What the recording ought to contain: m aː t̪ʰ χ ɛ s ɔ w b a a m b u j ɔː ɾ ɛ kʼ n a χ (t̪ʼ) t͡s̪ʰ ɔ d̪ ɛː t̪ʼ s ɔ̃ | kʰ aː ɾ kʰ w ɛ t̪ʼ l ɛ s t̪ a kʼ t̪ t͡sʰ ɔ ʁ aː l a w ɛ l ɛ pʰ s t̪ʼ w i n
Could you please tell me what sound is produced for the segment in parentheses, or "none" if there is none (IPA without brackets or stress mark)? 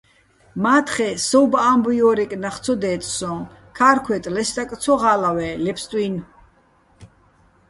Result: t̪